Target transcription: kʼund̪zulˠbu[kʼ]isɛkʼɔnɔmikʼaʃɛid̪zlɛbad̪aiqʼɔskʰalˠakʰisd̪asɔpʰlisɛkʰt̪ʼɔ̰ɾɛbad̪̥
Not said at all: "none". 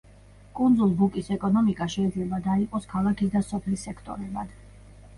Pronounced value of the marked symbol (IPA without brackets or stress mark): kʼ